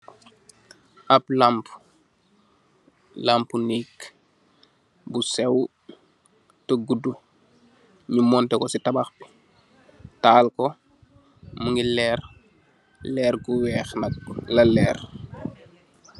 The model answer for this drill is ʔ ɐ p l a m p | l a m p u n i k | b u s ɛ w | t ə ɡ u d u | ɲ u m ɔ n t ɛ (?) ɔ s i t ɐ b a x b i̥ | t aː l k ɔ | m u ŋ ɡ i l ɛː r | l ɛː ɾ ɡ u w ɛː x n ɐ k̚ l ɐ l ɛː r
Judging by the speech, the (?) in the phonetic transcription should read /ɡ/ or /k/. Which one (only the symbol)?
k